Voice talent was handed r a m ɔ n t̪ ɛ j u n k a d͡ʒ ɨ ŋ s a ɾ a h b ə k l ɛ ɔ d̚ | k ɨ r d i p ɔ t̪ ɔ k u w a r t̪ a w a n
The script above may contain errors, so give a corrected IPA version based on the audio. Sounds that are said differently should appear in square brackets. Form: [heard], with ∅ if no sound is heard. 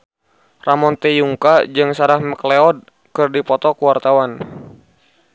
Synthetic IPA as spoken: r a m ɔ n t̪ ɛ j u [ŋ] k a d͡ʒ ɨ ŋ s a ɾ a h [m] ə k l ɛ ɔ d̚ | k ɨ r d i p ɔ t̪ ɔ k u w a r t̪ a w a n